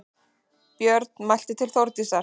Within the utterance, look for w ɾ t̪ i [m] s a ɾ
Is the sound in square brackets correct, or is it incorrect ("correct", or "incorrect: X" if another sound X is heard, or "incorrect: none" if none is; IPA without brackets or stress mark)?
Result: incorrect: none